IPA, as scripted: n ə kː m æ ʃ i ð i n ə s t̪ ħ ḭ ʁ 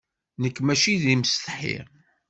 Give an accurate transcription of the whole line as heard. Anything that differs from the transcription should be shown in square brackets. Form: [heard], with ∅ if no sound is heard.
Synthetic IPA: n ə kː m æ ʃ i ð i [m] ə s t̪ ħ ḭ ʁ